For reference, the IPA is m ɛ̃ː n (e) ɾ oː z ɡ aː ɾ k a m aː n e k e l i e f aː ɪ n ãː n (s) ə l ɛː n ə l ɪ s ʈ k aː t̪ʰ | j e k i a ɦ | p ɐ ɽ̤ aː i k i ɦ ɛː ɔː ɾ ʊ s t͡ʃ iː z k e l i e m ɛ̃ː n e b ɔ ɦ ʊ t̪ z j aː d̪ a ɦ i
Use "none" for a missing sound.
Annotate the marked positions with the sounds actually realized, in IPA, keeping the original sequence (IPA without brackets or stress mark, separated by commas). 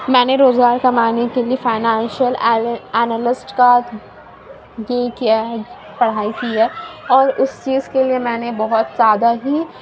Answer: e, ʃ